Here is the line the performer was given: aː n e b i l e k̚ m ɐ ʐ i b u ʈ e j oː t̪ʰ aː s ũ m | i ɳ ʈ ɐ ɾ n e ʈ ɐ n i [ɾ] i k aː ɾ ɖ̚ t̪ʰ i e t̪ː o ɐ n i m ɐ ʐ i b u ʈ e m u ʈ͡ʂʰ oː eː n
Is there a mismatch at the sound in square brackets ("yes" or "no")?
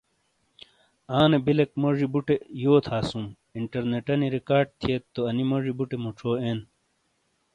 no